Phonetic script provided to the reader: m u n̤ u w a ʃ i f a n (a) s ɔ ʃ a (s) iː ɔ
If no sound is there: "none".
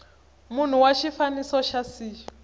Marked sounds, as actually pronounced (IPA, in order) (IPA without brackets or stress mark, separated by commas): i, s